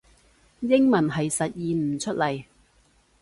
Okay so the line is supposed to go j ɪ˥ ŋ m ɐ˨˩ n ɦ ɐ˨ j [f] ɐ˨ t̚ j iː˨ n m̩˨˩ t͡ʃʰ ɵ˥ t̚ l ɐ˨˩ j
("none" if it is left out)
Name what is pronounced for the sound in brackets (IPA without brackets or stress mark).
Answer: s